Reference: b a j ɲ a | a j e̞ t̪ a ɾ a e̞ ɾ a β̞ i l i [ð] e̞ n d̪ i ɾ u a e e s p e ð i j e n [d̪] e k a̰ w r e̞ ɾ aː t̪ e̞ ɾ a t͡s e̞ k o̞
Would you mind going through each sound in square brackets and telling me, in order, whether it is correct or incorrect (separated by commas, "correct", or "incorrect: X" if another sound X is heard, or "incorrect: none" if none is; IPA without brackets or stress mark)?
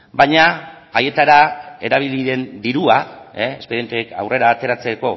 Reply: correct, incorrect: t̪